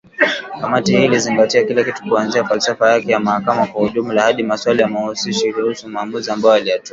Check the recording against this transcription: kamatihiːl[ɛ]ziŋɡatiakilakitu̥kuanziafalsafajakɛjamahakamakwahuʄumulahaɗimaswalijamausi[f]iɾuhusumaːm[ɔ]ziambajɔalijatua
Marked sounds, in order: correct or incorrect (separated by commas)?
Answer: incorrect, incorrect, incorrect